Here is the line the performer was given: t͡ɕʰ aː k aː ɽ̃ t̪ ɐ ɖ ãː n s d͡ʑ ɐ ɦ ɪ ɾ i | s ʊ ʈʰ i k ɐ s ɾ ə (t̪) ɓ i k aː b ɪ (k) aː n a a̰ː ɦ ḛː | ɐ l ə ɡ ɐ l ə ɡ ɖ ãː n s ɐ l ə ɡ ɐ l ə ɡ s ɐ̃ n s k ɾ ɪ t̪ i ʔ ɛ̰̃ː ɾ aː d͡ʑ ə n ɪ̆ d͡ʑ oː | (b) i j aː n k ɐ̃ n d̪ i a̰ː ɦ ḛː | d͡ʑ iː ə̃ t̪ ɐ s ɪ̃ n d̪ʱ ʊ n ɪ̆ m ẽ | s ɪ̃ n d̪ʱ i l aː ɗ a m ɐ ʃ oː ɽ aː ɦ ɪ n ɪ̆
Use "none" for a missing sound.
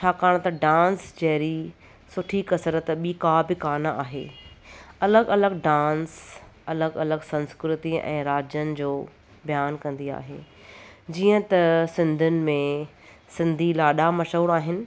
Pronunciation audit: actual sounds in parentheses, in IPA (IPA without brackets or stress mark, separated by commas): t̪, k, b